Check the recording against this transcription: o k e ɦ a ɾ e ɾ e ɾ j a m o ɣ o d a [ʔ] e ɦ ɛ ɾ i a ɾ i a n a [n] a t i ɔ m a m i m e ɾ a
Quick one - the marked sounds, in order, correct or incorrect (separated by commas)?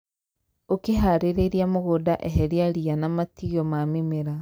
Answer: correct, incorrect